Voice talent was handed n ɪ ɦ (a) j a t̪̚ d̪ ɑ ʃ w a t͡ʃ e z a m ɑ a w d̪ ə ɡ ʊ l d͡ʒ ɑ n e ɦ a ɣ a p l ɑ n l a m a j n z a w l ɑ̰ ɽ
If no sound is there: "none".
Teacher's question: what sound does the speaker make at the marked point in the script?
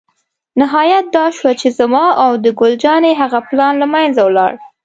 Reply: ɑ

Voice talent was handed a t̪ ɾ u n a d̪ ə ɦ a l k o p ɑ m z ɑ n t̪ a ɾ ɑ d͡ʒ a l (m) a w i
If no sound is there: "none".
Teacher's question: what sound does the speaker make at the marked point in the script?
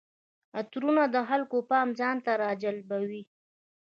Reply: b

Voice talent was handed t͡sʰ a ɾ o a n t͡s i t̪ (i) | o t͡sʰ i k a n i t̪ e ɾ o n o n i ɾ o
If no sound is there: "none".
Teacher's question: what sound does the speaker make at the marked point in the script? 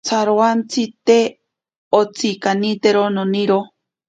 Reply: e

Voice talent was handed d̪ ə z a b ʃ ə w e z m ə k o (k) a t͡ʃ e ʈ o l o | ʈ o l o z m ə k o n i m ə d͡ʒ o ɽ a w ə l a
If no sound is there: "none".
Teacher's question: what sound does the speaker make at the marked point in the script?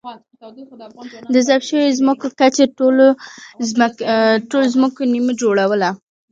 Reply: k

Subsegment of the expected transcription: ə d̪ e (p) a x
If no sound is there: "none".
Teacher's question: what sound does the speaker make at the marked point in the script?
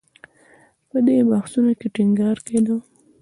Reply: b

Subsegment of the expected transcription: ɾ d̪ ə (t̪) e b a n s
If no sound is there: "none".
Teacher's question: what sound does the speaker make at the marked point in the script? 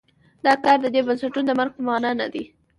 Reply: d̪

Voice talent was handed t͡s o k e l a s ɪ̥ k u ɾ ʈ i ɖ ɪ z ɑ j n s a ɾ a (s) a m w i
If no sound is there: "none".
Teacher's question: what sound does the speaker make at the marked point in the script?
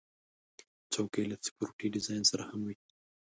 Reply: h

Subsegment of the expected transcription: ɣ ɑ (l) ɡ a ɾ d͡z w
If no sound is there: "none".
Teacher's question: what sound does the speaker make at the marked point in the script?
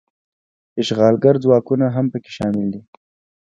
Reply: l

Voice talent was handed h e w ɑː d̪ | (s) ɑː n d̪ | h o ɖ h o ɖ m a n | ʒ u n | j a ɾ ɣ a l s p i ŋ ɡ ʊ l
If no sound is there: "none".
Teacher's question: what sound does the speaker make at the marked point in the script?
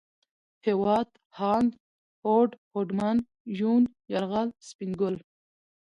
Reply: h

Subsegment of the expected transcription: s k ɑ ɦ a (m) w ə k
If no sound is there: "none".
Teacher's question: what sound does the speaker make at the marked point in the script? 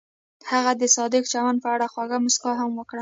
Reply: m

